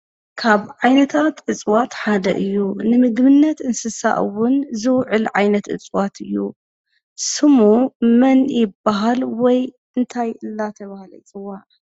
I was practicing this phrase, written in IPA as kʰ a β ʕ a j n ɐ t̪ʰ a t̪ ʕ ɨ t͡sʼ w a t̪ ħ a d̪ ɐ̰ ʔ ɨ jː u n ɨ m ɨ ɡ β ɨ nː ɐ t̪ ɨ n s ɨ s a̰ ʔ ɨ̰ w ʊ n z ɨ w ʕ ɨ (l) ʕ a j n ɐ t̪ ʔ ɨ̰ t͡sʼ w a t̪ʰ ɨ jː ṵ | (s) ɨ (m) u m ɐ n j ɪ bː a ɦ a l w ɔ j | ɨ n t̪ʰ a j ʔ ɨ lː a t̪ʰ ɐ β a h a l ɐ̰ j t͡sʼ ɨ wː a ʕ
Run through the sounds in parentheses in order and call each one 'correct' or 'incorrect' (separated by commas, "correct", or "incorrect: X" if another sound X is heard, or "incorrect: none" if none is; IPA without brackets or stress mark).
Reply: correct, correct, correct